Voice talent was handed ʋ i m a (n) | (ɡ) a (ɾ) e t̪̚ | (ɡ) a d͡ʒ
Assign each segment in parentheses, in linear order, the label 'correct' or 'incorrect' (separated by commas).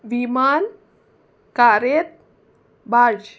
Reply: correct, incorrect, correct, incorrect